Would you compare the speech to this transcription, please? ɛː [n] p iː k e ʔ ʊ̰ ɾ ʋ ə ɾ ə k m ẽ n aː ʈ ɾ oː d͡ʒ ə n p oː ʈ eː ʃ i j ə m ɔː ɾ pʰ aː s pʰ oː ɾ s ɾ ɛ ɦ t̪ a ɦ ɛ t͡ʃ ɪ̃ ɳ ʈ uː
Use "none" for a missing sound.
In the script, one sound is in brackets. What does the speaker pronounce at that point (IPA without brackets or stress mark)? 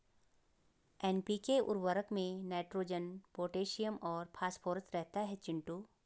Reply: n